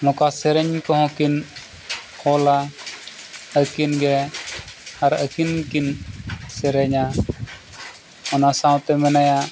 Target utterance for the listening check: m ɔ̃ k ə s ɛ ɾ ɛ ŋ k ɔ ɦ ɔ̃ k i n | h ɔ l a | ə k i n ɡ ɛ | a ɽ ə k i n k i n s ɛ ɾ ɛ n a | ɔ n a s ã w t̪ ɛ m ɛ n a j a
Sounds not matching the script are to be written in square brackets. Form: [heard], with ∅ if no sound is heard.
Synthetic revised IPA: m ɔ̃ k [a] s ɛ ɾ ɛ [ɲ] k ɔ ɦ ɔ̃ k i n | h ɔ l a | ə k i n ɡ ɛ | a [ɾ] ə k i n k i n s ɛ ɾ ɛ [ɲ] a | ɔ n a s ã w t̪ ɛ m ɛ n a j a